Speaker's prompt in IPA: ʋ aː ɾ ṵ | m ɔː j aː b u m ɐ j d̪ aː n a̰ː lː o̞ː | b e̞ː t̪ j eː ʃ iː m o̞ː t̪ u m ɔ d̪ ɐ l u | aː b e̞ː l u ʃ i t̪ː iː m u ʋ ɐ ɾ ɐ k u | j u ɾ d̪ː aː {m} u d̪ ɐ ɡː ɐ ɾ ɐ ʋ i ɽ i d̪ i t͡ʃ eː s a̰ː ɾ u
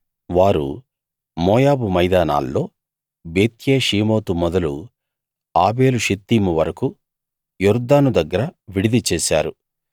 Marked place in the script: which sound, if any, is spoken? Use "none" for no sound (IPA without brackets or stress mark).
n